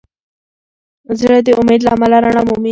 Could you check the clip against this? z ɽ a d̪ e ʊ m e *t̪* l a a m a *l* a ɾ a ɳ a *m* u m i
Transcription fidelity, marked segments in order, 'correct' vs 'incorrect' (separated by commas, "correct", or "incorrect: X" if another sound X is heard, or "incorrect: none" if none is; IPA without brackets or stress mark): incorrect: d̪, correct, correct